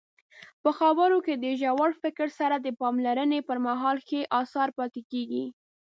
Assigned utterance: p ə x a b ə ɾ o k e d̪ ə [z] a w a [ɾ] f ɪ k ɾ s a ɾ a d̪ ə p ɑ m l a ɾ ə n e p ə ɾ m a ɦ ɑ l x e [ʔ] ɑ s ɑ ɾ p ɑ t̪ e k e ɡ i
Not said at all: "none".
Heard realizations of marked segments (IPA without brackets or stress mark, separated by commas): ʒ, ɽ, ʔ